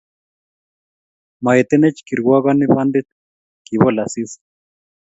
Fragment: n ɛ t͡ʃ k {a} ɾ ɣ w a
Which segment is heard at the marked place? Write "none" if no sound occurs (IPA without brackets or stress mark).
i